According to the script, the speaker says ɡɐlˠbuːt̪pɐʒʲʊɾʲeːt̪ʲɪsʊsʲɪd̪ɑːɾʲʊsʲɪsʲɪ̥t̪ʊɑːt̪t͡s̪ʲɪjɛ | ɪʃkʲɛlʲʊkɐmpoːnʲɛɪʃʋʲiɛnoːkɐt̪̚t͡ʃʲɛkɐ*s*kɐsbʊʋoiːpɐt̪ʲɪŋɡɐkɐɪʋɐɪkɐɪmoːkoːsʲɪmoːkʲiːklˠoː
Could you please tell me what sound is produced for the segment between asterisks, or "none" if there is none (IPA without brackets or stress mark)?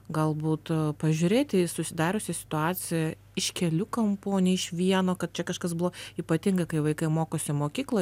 ʃ